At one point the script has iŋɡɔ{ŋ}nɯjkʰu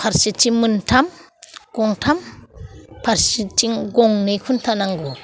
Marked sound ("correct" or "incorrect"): correct